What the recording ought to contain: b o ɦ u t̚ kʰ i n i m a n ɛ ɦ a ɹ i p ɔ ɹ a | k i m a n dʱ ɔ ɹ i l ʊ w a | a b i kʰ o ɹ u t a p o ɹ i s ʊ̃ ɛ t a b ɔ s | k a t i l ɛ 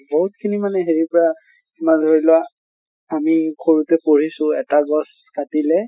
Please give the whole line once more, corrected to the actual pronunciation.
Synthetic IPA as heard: b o ɦ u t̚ kʰ i n i m a n ɛ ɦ e ɹ i p ɔ ɹ a | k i m a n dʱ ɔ ɹ i l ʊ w a | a m i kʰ o ɹ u t ɛ p o ɹ i s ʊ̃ ɛ t a ɡ ɔ s | k a t i l ɛ